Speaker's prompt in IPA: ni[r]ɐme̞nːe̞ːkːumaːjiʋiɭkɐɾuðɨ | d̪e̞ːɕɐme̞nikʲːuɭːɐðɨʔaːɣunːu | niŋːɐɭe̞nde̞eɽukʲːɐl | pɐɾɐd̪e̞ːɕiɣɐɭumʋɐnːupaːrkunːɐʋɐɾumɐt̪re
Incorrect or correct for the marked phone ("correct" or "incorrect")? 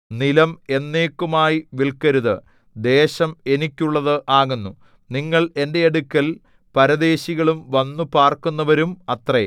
incorrect